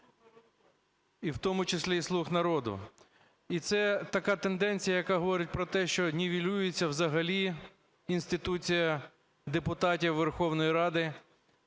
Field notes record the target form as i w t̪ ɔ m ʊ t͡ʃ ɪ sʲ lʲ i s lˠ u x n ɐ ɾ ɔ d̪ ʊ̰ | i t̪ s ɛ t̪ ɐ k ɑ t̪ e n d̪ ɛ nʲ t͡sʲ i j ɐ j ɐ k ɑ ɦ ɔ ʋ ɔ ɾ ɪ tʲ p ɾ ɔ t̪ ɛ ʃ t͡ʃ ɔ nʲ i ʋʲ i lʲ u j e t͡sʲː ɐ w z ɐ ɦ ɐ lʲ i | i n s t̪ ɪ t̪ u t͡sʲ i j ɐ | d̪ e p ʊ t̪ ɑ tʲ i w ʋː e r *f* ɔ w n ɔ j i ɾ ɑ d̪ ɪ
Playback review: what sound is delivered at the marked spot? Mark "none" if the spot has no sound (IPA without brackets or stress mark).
x